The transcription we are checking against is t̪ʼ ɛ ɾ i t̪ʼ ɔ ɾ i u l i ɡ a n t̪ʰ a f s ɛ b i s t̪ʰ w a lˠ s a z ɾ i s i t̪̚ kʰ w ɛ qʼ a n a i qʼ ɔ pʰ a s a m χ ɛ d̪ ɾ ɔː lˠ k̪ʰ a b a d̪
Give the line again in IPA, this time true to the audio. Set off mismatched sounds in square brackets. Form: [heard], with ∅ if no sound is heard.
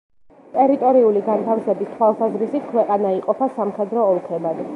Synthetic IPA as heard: t̪ʼ ɛ ɾ i t̪ʼ ɔ ɾ i u l i ɡ a n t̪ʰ a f s ɛ b i s t̪ʰ w a lˠ s a z ɾ i s i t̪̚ kʰ w ɛ qʼ a n a i qʼ ɔ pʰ a s a m χ ɛ d̪ ɾ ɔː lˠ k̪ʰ [ɛ] b a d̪